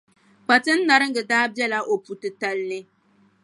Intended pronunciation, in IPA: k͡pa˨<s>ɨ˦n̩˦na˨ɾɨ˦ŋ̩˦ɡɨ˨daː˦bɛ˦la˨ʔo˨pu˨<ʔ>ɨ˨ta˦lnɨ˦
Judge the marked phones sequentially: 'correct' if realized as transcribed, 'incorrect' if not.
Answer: incorrect, incorrect

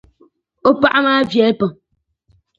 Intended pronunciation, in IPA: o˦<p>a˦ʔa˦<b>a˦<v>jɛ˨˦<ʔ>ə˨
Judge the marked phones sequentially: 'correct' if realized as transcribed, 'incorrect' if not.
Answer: correct, incorrect, correct, incorrect

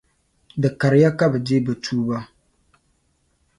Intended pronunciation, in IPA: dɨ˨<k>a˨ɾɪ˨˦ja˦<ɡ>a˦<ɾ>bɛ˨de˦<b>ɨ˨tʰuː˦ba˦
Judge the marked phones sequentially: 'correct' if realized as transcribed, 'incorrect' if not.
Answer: correct, incorrect, incorrect, correct

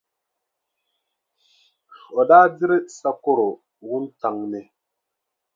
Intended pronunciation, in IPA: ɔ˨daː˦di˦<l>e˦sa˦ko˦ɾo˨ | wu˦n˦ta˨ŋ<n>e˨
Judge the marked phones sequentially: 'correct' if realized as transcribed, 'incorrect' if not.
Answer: incorrect, correct

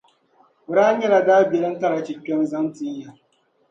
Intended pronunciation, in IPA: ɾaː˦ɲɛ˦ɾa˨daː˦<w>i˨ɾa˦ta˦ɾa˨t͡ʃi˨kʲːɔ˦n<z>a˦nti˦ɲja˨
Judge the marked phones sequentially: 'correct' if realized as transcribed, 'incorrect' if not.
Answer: incorrect, correct

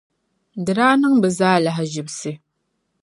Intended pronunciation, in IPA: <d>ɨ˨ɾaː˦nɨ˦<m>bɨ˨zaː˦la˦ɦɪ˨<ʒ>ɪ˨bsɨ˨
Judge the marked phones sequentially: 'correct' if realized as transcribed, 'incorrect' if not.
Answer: correct, incorrect, correct

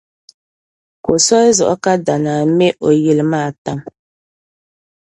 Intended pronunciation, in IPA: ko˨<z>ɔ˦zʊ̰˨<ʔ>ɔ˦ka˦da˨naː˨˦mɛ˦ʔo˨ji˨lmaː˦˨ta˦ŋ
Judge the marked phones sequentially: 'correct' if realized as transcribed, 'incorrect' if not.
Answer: incorrect, correct

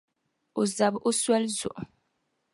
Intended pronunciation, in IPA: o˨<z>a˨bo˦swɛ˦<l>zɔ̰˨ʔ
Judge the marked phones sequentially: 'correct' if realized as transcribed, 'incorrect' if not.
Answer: correct, correct

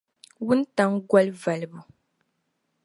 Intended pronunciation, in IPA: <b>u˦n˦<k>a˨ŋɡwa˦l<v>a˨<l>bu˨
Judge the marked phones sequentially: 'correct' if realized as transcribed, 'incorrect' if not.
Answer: incorrect, incorrect, correct, correct

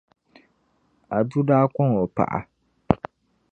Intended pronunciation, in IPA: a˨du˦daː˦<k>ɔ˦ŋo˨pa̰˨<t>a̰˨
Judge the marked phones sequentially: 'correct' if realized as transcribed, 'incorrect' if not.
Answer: correct, incorrect

